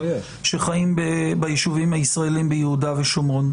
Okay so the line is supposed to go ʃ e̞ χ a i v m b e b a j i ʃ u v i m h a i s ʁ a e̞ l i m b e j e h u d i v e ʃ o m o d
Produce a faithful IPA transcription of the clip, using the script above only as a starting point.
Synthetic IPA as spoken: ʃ e̞ χ a i m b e b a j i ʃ u v i m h a i s ʁ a e̞ l i m b e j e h u d a v e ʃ o m o n